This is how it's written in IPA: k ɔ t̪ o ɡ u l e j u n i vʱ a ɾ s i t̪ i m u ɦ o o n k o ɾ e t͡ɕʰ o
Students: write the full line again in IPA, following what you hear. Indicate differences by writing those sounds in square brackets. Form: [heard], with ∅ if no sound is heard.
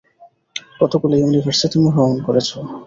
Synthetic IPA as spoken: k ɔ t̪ o [k] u l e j u n i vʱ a ɾ s i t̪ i m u ɦ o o n k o ɾ e t͡ɕʰ o